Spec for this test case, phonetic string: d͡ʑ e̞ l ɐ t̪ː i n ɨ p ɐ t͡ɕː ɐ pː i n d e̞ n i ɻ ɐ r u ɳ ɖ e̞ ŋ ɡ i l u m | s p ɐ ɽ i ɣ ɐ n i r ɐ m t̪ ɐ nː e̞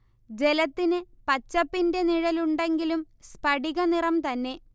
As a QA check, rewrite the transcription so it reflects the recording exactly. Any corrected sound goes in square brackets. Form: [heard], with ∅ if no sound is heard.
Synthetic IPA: d͡ʑ e̞ l ɐ t̪ː i n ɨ p ɐ t͡ɕː ɐ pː i n d e̞ n i ɻ ɐ [l] u ɳ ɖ e̞ ŋ ɡ i l u m | s p ɐ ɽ i ɣ ɐ n i r ɐ m t̪ ɐ nː e̞